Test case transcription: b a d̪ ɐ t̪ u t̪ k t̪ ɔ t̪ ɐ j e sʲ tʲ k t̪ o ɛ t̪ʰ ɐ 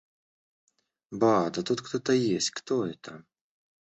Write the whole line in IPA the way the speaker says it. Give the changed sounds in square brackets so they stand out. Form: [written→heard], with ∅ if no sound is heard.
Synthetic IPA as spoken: b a d̪ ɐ t̪ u t̪ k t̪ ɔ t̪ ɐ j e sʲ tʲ k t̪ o ɛ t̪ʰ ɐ